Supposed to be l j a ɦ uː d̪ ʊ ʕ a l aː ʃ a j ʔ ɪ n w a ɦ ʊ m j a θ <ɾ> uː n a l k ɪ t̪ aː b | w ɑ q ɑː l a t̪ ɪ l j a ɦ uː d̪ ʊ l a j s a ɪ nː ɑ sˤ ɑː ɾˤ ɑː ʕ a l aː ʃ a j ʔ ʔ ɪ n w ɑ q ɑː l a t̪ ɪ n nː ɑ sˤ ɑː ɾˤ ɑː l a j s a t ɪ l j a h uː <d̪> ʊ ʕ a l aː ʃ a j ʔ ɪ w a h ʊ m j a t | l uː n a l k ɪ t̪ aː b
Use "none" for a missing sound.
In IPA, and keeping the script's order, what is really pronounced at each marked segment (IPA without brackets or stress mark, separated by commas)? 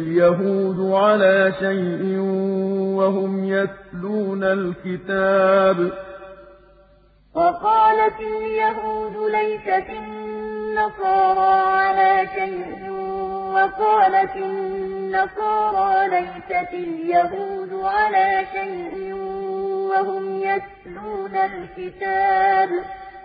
l, d̪